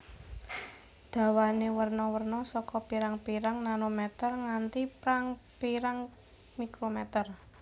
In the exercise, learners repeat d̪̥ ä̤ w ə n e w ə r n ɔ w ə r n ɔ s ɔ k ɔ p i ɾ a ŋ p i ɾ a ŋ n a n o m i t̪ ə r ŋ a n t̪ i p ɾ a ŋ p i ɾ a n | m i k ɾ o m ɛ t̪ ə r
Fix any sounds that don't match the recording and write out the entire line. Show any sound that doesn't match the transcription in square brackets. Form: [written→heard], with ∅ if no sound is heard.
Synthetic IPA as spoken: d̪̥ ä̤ w [ə→a] n e w ə r n ɔ w ə r n ɔ s ɔ k ɔ p i ɾ a ŋ p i ɾ a ŋ n a n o m [i→ɛ] t̪ ə r ŋ a n t̪ i p ɾ a ŋ p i ɾ a [n→ŋ] | m i k ɾ o m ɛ t̪ ə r